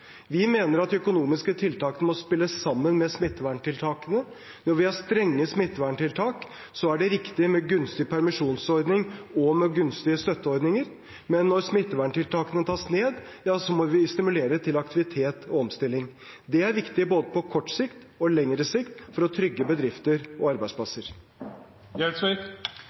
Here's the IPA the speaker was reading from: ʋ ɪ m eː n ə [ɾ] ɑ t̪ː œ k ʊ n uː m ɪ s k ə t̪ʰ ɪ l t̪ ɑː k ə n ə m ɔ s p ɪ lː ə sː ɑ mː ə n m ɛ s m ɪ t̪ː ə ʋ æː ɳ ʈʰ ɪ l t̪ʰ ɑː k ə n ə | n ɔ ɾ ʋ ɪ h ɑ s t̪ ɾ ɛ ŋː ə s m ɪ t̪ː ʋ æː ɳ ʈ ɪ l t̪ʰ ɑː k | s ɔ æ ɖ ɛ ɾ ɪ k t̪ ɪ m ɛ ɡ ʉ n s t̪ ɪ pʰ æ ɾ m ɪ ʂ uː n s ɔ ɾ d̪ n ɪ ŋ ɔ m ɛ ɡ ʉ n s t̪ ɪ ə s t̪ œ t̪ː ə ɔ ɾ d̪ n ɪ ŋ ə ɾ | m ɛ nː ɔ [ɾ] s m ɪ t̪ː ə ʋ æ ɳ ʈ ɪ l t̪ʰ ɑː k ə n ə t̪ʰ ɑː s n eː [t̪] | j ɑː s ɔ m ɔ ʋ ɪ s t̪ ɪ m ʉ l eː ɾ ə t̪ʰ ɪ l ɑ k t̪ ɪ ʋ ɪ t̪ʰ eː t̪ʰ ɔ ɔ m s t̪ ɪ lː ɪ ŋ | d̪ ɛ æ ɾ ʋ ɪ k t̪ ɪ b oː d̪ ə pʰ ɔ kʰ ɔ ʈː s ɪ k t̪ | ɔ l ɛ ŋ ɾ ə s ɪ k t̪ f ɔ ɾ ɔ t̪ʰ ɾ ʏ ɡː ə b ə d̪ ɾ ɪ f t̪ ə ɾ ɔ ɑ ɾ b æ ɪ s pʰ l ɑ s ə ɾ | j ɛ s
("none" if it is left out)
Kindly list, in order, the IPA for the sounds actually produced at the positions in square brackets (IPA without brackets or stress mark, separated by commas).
ɾ, ɾ, d̪